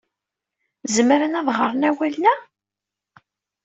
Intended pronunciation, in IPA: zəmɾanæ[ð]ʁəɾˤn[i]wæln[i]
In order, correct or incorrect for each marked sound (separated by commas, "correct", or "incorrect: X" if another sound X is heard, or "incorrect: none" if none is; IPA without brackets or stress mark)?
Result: correct, incorrect: æ, incorrect: æ